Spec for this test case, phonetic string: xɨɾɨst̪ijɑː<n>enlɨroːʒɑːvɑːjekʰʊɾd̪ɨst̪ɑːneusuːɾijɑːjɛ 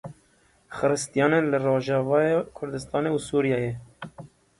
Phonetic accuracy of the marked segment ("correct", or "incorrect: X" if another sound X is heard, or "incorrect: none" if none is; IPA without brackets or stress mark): correct